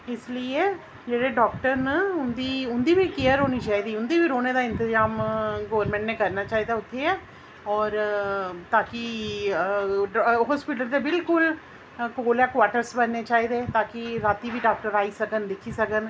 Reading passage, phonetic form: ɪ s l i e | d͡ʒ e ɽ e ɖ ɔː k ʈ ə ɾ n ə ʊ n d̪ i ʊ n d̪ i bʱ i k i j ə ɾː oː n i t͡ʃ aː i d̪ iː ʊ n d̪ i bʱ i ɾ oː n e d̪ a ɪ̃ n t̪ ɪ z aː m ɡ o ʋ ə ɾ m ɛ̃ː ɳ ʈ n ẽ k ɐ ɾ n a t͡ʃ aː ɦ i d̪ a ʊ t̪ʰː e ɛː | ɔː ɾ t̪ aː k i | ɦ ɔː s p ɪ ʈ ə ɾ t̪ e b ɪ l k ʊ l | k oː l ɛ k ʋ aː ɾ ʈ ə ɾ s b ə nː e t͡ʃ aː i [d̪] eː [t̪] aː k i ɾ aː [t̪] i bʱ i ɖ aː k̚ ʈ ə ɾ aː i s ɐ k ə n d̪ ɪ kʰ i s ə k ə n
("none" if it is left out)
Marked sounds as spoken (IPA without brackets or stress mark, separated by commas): d̪, t̪, t̪